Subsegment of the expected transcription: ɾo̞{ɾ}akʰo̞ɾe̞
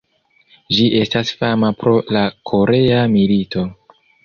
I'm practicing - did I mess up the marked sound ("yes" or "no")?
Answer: yes